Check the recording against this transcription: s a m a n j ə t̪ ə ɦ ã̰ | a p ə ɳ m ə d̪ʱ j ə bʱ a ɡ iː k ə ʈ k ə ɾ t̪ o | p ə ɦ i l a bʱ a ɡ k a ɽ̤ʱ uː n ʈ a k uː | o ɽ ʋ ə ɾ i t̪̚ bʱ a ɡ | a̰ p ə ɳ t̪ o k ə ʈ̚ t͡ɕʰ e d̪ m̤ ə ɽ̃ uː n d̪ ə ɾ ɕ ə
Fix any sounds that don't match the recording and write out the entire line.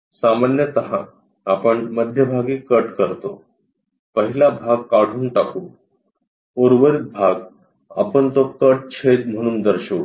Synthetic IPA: s a m a n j ə t̪ ə ɦ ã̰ | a p ə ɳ m ə d̪ʱ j ə bʱ a ɡ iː k ə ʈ k ə ɾ t̪ o | p ə ɦ i l a bʱ a ɡ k a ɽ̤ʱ uː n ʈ a k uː | o ɾ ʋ ə ɾ i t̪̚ bʱ a ɡ | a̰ p ə ɳ t̪ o k ə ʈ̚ t͡ɕʰ e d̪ m̤ ə ɽ̃ uː n d̪ ə ɾ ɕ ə